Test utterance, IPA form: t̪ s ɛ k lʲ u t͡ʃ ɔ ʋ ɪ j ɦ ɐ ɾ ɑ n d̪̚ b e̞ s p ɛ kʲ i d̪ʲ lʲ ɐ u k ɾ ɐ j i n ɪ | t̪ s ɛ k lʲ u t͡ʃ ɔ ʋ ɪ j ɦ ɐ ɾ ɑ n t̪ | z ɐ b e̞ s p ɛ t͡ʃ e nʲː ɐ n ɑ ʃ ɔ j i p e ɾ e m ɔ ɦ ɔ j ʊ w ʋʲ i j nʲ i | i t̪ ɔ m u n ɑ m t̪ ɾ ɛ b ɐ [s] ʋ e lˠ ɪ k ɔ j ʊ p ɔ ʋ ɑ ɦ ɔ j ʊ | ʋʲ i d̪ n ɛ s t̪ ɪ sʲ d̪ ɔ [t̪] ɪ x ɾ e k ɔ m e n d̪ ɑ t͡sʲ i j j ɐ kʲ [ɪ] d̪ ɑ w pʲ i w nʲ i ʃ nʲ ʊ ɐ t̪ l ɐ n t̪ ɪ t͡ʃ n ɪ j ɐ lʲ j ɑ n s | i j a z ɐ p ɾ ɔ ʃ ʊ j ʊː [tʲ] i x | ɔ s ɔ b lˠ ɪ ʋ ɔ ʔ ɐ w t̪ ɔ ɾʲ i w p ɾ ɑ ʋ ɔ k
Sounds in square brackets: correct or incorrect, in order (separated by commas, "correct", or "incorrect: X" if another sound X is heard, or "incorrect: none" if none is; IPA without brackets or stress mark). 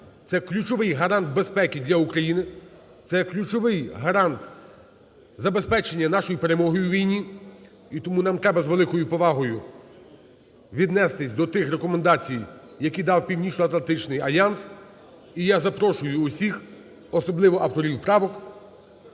incorrect: z, correct, incorrect: i, incorrect: sʲ